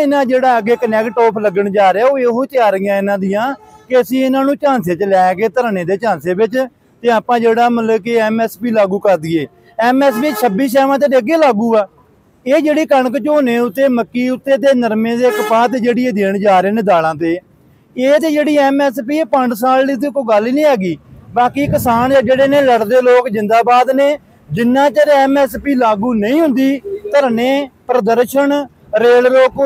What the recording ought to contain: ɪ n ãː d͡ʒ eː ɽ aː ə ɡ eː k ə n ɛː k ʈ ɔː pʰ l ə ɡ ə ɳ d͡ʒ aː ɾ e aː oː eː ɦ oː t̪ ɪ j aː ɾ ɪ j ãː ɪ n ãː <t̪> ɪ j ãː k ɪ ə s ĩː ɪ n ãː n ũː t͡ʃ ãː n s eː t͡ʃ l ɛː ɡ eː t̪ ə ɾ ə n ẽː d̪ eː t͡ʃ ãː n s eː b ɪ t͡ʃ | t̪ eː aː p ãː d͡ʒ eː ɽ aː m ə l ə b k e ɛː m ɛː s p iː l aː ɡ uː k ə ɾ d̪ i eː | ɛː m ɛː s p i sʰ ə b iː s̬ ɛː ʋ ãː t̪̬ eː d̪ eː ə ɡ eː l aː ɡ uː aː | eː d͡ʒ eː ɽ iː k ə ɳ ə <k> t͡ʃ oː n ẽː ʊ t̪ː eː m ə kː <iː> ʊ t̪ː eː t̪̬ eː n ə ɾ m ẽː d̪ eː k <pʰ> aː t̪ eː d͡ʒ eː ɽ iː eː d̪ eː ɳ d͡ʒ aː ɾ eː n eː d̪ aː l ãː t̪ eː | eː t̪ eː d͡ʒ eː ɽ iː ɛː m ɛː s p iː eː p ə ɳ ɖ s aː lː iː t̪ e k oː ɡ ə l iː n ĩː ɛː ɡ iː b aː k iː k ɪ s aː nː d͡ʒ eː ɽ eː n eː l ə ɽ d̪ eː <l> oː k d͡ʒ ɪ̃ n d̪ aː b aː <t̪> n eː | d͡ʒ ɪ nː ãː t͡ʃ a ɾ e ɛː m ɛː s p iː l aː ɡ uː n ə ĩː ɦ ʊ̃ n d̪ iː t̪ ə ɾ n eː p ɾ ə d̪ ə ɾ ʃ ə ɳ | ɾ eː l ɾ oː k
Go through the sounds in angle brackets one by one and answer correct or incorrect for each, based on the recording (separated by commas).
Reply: incorrect, correct, correct, incorrect, correct, incorrect